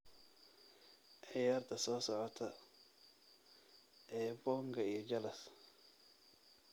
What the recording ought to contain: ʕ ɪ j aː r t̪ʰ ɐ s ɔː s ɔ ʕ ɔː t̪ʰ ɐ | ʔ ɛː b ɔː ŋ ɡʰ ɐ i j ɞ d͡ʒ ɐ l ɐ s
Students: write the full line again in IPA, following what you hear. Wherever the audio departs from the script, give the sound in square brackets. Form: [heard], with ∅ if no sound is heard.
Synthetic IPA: ʕ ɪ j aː r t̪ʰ ɐ s ɔː s ɔ ʕ [ɔ] t̪ʰ ɐ | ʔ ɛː b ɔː ŋ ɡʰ ɐ i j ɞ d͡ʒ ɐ l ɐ s